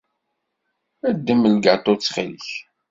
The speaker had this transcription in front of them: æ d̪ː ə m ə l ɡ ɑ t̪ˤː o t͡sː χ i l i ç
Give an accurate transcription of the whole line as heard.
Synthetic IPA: æ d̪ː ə m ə l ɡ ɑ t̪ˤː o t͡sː χ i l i ç